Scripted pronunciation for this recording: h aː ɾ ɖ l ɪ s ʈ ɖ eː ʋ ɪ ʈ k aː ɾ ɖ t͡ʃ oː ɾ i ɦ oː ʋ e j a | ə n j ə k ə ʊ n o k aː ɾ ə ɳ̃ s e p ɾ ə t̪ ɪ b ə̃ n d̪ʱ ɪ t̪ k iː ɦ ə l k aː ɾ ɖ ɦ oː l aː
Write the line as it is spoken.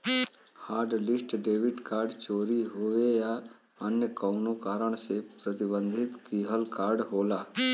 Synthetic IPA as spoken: h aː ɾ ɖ l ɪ s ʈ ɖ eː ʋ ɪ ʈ k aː ɾ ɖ t͡ʃ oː ɾ i ɦ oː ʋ e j a | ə n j ə k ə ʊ n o k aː ɾ ə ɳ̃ s e p ɾ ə t̪ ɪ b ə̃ n d̪ʱ ɪ t̪ k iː ɦ ə l k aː ɾ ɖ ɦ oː l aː